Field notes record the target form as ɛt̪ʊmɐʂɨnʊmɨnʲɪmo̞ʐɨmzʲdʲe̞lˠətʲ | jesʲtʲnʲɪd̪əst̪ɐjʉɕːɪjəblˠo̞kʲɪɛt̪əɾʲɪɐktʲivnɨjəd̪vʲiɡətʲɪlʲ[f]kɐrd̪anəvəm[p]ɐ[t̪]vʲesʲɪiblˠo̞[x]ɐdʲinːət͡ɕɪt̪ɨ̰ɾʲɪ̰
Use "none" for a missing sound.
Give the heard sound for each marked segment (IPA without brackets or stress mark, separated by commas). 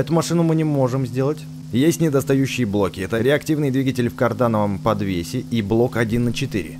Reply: f, p, d̪, k